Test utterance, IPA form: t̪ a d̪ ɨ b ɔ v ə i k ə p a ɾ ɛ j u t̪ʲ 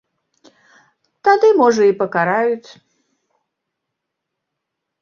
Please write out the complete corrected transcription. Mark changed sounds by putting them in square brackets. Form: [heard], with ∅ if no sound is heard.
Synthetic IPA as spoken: t̪ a d̪ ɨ [m] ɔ [ʐ] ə i [p] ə [k] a ɾ [a] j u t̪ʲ